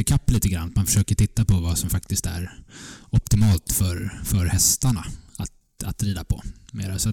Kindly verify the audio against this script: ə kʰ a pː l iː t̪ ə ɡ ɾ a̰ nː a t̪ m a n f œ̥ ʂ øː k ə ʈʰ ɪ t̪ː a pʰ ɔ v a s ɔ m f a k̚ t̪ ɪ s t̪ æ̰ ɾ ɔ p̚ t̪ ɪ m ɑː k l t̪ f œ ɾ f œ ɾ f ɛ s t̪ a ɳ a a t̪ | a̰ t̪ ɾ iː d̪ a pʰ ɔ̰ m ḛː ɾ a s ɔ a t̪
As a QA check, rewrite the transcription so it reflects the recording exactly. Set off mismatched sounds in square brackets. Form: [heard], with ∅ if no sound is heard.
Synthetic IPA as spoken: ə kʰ a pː l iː t̪ ə ɡ ɾ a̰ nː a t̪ m a n f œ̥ ʂ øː k ə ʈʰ ɪ t̪ː a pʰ ɔ v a s ɔ m f a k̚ t̪ ɪ s t̪ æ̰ ɾ ɔ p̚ t̪ ɪ m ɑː [∅] l t̪ f œ ɾ f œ ɾ [h] ɛ s t̪ a ɳ a a t̪ | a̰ t̪ ɾ iː d̪ a pʰ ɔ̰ m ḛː ɾ a s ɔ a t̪